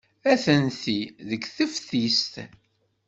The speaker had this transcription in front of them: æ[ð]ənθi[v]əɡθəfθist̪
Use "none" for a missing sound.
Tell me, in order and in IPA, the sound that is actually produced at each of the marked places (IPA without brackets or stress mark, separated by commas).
θ, ð